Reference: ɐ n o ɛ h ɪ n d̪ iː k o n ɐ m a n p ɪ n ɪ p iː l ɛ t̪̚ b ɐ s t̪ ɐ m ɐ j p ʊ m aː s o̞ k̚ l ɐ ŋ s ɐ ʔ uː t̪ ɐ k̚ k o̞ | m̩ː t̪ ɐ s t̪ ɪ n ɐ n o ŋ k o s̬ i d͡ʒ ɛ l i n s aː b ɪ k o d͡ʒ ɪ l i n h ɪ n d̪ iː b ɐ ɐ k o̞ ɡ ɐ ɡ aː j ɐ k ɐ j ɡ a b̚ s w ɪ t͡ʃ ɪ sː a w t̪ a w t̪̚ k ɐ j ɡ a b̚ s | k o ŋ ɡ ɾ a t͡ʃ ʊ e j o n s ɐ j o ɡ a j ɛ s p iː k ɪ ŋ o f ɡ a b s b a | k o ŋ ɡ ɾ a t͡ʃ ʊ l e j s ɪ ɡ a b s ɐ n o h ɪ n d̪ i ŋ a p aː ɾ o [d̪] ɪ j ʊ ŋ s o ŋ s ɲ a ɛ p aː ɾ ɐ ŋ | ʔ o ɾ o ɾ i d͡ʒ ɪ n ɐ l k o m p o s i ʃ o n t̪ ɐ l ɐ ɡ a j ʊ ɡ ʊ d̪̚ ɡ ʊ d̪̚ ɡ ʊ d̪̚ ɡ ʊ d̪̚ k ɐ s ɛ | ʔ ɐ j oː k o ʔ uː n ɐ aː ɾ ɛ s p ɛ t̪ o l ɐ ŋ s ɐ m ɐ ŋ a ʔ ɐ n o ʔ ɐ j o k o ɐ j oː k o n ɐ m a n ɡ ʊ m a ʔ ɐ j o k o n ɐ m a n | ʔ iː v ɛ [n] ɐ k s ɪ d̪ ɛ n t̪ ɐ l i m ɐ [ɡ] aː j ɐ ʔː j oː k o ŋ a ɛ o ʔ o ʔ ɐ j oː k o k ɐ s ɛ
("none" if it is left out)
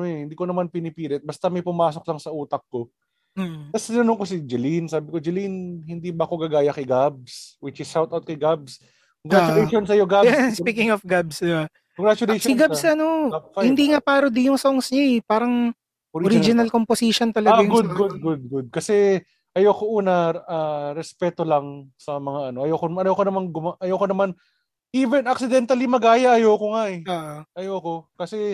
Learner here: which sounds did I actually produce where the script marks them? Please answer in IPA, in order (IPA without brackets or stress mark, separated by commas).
d̪, n, ɡ